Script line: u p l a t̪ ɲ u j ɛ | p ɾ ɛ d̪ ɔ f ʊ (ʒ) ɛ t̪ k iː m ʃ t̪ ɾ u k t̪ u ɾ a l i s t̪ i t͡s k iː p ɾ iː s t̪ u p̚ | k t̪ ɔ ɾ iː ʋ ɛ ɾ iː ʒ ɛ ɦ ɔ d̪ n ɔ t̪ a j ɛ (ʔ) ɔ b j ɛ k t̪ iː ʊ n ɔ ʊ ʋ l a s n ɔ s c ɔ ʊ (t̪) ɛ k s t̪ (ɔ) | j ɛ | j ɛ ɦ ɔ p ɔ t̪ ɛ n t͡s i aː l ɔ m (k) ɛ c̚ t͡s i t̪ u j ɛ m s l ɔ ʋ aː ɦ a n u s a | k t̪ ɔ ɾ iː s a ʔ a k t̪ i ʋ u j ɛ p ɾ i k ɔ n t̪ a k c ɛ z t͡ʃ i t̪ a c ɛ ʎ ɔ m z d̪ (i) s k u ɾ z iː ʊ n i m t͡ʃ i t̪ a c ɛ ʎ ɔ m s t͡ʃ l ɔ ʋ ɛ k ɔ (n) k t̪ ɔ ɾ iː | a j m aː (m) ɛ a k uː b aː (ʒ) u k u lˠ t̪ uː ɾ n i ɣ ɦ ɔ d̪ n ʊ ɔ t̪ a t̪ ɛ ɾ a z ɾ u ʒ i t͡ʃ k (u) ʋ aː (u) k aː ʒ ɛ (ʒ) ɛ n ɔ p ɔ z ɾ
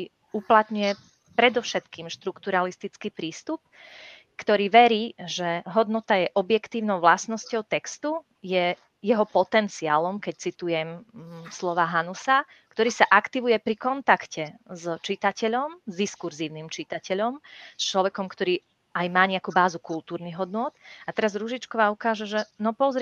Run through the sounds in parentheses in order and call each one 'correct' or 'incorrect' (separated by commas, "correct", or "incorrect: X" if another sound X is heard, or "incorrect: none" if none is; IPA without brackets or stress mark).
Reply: incorrect: ʃ, correct, correct, incorrect: u, correct, correct, incorrect: m, incorrect: ɲ, incorrect: z, incorrect: ɔ, correct, correct